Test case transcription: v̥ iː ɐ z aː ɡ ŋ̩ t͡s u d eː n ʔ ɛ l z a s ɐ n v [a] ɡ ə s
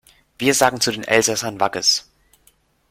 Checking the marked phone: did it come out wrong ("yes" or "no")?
no